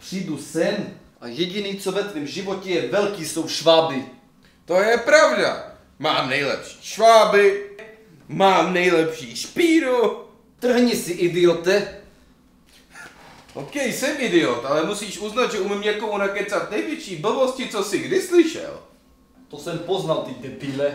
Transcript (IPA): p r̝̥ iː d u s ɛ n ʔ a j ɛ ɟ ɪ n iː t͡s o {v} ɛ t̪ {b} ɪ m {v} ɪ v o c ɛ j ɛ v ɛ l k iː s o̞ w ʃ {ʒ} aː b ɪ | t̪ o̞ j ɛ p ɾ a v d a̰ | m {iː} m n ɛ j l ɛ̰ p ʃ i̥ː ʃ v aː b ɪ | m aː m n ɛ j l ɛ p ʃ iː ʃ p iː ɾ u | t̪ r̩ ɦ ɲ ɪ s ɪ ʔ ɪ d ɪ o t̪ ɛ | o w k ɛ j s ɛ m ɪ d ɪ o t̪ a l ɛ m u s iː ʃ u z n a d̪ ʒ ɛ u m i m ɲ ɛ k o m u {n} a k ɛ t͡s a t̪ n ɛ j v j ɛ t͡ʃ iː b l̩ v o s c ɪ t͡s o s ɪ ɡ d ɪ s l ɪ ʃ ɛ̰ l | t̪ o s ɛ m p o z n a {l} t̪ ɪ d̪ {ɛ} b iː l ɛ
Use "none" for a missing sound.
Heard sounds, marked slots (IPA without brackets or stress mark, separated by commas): v, v, ʒ, v, aː, n, l, ɛ